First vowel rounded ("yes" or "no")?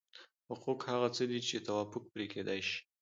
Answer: yes